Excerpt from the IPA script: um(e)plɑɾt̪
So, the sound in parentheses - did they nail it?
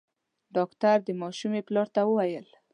yes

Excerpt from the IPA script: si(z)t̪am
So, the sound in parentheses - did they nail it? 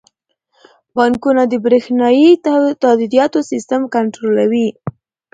no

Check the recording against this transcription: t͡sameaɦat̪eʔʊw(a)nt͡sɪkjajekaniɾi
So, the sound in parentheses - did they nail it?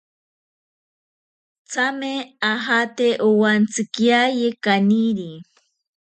yes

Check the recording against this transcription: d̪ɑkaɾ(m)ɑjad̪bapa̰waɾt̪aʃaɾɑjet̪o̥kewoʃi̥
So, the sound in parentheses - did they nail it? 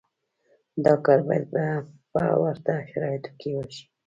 no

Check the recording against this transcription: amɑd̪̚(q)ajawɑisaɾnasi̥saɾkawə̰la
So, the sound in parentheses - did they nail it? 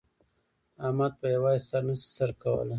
no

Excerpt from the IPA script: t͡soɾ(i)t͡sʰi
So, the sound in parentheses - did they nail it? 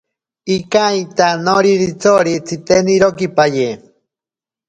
yes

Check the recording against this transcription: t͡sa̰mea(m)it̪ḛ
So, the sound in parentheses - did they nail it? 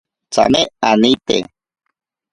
no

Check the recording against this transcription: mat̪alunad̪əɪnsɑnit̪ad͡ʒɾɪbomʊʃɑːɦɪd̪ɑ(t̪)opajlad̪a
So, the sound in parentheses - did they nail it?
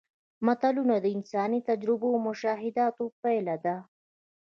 yes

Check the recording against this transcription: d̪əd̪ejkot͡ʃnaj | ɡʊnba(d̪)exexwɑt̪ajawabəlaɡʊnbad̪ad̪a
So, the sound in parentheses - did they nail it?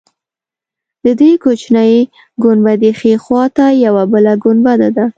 yes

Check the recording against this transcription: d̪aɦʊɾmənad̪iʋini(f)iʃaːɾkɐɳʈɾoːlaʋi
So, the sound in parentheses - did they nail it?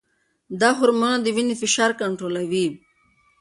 yes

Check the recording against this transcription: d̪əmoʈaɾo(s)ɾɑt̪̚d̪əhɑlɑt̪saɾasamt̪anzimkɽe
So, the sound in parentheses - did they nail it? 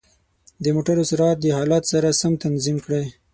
yes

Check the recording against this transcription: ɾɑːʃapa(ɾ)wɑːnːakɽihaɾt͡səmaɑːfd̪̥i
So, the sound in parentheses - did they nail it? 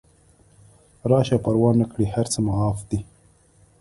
yes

